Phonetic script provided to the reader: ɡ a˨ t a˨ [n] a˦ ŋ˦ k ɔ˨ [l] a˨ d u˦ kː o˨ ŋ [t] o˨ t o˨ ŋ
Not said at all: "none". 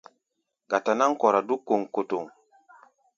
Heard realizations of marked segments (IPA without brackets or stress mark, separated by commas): n, ɾ, k